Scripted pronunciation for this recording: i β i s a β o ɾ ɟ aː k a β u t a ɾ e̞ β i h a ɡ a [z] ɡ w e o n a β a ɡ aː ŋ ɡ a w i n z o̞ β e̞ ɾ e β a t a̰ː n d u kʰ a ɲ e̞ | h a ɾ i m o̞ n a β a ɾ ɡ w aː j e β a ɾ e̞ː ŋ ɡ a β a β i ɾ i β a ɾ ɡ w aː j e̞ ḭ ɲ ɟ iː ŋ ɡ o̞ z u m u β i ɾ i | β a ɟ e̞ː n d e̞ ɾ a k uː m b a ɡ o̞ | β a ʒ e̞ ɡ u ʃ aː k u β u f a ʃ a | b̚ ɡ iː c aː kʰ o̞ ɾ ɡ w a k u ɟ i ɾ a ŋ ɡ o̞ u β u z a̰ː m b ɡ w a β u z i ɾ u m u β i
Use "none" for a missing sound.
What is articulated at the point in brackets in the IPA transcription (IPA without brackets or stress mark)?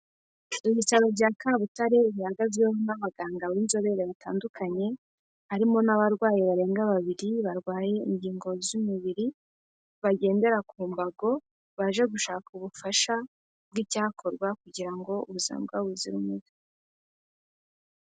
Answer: z